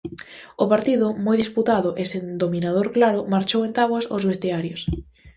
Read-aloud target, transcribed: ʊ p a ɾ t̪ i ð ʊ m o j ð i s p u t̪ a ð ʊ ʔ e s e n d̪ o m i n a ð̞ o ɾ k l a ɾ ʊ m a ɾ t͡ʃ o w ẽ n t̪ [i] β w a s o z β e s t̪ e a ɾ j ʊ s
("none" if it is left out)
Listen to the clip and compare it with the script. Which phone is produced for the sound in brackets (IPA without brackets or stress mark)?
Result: a